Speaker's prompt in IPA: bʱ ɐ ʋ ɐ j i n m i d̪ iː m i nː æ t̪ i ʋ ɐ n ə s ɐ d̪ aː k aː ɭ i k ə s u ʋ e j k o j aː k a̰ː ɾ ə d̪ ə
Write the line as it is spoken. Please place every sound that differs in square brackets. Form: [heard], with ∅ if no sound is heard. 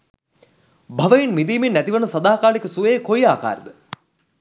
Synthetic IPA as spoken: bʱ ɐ ʋ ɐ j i n m i d̪ iː m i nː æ t̪ i ʋ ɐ n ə s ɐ d̪ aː k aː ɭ i k ə s u ʋ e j k o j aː k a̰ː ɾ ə d̪ ə